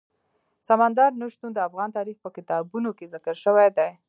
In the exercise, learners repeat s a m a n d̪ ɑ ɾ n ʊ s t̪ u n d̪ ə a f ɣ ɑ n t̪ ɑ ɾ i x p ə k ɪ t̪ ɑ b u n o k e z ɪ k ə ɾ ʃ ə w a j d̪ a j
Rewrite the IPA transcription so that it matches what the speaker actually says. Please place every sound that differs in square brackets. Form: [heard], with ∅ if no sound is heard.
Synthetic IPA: s a m a n d̪ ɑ ɾ n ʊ [ʃ] t̪ u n d̪ ə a f ɣ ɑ n t̪ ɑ ɾ i x p ə k ɪ t̪ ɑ b u n o k e z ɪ k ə ɾ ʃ ə w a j d̪ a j